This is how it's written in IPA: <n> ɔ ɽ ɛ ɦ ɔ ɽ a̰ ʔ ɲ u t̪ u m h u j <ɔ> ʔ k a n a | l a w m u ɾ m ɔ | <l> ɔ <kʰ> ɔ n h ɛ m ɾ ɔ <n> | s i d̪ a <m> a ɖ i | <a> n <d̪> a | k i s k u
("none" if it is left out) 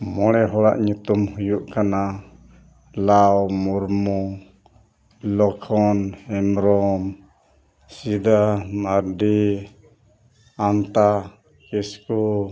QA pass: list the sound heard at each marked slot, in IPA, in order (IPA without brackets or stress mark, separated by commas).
m, u, l, kʰ, m, m, a, t̪